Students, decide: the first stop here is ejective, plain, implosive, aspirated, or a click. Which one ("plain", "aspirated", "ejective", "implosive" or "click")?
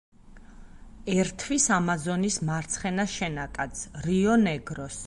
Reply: aspirated